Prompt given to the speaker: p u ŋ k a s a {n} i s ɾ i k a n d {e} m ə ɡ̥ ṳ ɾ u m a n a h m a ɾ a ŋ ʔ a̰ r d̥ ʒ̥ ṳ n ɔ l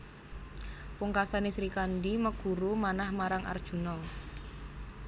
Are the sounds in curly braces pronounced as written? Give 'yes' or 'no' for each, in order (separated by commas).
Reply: yes, no